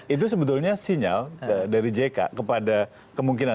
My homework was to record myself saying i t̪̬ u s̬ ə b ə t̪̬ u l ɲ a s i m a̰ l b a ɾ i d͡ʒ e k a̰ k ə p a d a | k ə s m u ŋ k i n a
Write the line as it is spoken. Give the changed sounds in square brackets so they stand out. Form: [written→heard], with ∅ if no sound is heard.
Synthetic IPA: i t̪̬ u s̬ ə b ə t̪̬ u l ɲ a s i [m→ɲ] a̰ l [b→d] a ɾ i d͡ʒ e k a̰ k ə p a d a | k ə [s→∅] m u ŋ k i n a